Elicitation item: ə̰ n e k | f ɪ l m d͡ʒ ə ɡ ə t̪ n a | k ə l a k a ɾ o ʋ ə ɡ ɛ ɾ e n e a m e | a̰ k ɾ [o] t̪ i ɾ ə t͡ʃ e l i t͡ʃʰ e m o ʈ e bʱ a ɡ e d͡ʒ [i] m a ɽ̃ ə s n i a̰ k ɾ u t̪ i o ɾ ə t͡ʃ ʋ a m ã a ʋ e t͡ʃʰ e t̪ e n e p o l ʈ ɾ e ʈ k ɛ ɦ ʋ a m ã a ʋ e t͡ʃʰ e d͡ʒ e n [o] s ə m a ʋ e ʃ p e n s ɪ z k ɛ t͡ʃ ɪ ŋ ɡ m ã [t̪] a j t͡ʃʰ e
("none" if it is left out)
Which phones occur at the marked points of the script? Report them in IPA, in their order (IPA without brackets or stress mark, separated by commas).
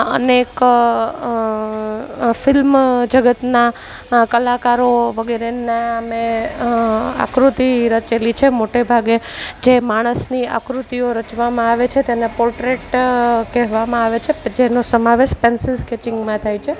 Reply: u, e, o, t̪ʰ